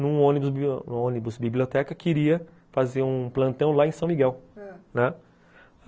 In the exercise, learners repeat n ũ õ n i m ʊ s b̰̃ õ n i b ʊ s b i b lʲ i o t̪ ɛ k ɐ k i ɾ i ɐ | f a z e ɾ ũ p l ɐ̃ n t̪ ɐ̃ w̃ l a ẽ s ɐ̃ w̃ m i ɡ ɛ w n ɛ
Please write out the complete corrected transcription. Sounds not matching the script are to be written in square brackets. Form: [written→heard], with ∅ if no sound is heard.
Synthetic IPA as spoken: n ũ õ n i [m→b] ʊ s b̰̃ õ n i b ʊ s b i b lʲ i o t̪ ɛ k ɐ k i ɾ i ɐ | f a z e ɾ ũ p l ɐ̃ n t̪ ɐ̃ w̃ l a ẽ s ɐ̃ w̃ m i ɡ ɛ w n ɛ